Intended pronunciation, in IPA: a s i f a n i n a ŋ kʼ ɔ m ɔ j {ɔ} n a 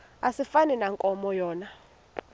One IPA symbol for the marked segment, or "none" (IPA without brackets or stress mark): ɔː